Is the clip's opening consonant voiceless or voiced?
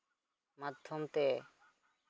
voiced